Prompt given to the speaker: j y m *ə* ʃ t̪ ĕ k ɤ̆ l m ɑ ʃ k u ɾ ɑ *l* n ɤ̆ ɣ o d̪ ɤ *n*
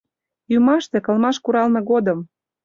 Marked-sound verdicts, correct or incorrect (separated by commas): incorrect, correct, incorrect